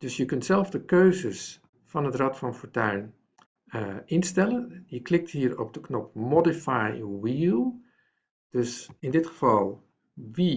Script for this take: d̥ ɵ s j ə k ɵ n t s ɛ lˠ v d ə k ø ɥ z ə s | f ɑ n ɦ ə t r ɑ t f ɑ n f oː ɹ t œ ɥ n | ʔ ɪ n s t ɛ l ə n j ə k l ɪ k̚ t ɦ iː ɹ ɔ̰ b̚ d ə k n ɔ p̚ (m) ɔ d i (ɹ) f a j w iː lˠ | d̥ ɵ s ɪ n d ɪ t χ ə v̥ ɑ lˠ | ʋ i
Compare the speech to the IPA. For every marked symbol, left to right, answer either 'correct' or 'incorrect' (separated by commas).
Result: correct, incorrect